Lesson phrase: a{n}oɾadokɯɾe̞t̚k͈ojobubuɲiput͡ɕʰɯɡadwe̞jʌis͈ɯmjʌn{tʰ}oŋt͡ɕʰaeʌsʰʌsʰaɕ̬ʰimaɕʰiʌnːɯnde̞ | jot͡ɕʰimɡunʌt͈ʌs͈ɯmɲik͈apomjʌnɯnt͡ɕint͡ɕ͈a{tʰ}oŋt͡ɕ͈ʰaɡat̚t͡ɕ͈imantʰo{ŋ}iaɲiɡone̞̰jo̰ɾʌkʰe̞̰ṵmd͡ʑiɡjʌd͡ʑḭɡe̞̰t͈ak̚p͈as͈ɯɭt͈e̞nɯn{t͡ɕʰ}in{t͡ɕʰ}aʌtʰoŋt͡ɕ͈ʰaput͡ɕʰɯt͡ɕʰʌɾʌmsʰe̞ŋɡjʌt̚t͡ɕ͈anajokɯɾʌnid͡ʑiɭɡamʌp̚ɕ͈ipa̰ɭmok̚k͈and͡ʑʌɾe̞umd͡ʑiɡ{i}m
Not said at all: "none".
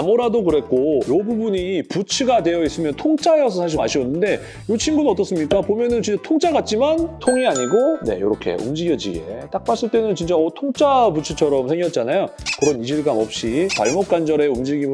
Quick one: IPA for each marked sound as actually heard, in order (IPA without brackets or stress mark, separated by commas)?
m, tʰ, tʰ, ŋ, t͡ɕ, t͡ɕ, i